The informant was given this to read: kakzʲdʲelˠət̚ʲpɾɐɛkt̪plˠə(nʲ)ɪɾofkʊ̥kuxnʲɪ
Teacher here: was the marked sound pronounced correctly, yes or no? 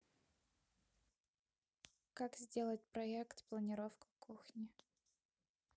yes